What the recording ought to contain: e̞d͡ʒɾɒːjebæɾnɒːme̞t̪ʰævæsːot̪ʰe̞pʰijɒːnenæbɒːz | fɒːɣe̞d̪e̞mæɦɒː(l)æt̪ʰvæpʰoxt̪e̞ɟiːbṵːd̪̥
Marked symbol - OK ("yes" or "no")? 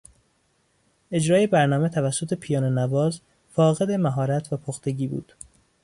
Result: no